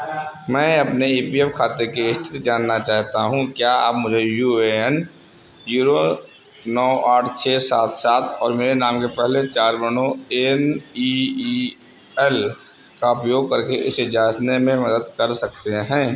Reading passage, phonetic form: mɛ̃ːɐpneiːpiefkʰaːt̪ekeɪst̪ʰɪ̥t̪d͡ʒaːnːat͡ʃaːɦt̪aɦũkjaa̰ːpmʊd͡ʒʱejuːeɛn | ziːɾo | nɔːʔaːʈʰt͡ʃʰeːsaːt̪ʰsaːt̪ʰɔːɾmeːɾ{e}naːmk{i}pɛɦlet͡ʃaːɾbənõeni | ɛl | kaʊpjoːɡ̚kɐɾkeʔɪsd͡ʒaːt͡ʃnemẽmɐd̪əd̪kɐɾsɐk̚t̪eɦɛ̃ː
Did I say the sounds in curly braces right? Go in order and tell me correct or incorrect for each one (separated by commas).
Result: correct, incorrect